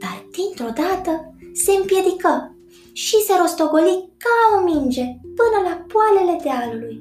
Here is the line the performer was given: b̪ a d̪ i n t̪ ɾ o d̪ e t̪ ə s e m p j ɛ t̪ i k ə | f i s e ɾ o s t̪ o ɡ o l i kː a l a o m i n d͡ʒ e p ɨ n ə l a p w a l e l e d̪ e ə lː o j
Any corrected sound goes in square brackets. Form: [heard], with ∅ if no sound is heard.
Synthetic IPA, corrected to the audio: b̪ a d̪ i n t̪ ɾ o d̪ [a] t̪ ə s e m p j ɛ [d̪] i k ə | [ʃ] i s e ɾ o s t̪ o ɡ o l i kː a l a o m i n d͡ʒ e p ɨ n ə l a p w a l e l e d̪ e [a] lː [u] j